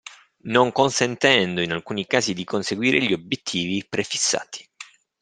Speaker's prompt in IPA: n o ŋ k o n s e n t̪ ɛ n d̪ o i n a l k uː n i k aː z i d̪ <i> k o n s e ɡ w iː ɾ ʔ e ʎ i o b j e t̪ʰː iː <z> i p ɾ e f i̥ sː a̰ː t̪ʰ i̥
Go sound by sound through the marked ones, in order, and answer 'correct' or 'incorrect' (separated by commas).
correct, incorrect